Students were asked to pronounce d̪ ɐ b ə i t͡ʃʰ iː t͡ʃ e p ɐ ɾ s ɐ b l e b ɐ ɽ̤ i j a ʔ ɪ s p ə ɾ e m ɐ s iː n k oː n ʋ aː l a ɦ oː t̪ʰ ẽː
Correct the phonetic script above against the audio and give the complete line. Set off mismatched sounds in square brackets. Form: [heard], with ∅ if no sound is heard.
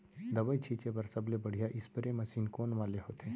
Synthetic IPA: d̪ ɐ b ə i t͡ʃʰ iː t͡ʃ e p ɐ ɾ s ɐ b l e b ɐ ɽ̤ i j a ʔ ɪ s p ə ɾ e m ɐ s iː n k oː n ʋ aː l [e] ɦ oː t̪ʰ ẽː